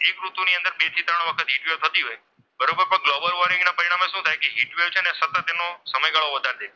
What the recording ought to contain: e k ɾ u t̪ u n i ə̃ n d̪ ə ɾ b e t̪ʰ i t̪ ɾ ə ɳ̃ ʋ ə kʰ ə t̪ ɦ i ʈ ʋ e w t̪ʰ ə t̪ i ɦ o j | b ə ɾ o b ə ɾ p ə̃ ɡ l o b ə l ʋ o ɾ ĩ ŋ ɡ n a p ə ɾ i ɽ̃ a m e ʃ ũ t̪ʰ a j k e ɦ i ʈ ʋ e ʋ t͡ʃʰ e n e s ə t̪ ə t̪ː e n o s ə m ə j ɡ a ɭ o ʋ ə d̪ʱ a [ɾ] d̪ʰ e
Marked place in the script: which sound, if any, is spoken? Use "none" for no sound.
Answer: ɾ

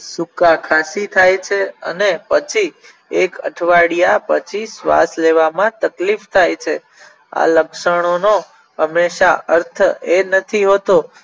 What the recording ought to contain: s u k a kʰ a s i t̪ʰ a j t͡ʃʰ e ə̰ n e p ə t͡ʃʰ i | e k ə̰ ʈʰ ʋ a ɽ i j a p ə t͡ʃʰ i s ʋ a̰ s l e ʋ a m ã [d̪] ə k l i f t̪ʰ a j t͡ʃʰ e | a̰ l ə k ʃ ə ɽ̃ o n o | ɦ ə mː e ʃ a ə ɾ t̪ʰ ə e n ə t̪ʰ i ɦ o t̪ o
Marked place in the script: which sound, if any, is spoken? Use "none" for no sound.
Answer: t̪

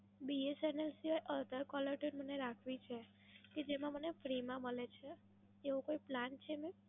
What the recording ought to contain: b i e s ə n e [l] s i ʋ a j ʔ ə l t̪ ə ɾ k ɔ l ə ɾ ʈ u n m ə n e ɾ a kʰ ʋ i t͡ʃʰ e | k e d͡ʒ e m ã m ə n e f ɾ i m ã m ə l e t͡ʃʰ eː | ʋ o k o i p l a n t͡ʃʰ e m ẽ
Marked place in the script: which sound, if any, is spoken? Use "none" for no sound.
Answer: l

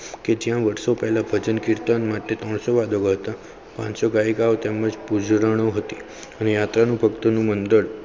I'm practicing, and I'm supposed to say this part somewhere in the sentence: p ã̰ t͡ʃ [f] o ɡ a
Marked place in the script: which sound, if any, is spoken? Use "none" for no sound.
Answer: s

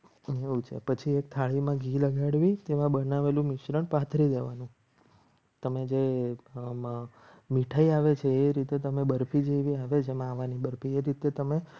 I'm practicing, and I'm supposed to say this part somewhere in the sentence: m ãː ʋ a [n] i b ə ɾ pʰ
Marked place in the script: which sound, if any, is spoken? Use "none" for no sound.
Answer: n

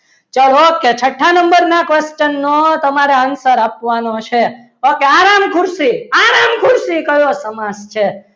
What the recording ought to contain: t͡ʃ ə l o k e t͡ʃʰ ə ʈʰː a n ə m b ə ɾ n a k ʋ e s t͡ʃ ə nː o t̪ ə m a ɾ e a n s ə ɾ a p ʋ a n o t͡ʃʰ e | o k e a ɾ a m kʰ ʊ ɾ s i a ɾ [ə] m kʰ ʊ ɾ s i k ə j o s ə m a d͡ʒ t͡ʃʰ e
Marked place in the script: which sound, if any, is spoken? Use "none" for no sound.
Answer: a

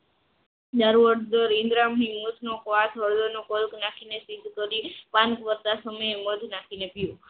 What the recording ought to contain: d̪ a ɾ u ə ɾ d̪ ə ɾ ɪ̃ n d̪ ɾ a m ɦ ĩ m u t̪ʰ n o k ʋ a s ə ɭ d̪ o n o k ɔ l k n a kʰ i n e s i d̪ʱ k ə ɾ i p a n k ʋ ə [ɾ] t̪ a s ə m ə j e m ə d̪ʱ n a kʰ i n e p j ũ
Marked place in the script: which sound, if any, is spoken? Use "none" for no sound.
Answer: ɾ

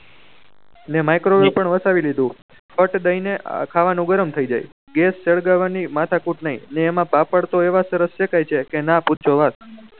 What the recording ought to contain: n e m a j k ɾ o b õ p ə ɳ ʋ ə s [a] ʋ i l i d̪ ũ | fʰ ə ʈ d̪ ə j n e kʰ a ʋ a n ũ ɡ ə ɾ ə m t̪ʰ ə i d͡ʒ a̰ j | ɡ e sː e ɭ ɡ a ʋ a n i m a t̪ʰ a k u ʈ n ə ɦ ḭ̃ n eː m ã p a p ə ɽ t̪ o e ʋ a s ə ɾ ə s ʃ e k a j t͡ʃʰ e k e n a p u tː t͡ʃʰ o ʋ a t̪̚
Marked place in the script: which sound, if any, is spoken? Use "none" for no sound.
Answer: a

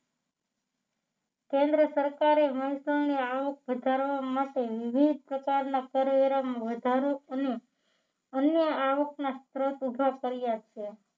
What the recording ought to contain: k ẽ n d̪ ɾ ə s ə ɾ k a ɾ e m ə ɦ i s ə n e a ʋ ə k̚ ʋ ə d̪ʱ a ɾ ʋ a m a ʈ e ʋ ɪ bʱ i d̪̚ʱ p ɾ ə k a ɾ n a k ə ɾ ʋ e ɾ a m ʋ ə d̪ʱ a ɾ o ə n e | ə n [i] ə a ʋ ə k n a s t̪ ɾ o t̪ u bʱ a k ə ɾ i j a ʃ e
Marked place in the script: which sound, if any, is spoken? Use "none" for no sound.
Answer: j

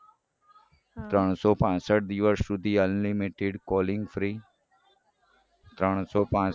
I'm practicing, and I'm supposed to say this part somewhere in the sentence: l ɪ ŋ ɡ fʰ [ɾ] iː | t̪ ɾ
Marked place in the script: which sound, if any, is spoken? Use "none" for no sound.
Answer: ɾ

